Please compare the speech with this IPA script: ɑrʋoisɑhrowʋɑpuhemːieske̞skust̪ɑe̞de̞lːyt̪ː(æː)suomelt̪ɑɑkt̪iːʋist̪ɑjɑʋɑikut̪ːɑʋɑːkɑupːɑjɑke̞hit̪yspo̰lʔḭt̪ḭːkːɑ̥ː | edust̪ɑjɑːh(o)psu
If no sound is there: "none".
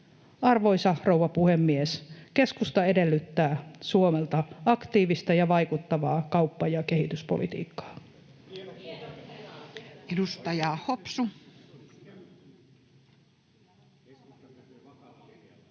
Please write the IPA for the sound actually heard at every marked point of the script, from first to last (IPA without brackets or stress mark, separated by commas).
æː, o